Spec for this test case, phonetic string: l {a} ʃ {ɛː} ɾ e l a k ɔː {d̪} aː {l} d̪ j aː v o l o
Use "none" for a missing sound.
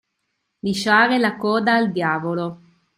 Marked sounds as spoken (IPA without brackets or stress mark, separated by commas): i, aː, d̪, l